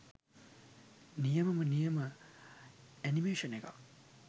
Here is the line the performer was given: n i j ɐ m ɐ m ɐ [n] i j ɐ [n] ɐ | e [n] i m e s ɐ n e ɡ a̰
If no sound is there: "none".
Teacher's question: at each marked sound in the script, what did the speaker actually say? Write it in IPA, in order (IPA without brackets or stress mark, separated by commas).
n, m, n